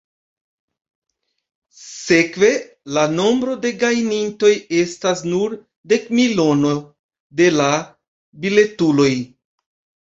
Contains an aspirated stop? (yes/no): no